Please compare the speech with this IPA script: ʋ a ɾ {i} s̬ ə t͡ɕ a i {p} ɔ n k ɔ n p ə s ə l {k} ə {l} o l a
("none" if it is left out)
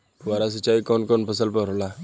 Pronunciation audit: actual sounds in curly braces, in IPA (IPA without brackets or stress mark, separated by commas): a, k, p, ɾ